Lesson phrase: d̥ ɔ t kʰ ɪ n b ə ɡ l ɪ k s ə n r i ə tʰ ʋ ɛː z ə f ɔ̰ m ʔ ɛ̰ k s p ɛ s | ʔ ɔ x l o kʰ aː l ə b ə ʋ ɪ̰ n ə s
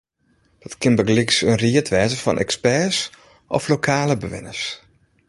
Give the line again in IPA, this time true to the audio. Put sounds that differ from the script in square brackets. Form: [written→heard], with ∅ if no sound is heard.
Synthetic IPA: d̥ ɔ t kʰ ɪ n b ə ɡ l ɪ k s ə n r i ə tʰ ʋ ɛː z ə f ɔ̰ [m→n] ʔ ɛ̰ k s p ɛ s | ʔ ɔ [x→f] l o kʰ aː l ə b ə ʋ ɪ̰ n ə s